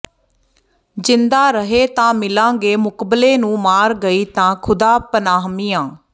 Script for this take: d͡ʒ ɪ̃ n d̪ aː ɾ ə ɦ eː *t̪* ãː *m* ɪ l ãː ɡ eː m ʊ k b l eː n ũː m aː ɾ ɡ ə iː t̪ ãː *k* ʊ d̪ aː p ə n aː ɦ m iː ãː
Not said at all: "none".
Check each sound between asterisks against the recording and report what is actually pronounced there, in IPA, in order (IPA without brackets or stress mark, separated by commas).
t̪, m, kʰ